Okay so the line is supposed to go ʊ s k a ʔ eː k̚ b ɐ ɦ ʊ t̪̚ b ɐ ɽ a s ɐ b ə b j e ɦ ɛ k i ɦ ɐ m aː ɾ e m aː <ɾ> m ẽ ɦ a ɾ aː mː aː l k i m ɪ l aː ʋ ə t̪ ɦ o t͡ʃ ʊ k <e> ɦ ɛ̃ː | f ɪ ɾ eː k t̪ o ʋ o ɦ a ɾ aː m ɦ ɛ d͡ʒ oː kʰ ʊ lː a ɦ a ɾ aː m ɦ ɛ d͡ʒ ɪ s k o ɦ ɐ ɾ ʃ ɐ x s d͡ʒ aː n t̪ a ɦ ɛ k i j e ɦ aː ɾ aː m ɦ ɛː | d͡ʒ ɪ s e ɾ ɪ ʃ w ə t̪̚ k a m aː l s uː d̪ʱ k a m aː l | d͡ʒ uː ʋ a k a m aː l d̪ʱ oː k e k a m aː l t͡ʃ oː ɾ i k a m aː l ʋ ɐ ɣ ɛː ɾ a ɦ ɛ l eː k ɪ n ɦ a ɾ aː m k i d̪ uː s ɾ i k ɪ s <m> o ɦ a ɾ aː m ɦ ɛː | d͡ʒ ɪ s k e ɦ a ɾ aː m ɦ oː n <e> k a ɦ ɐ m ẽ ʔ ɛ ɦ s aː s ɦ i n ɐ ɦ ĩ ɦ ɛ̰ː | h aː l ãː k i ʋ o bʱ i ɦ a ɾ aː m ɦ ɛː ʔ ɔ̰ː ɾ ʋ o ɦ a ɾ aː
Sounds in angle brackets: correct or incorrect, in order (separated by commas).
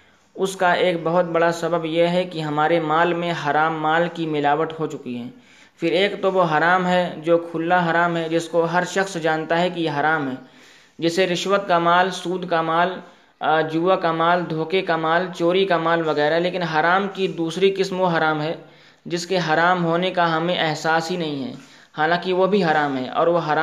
incorrect, incorrect, correct, correct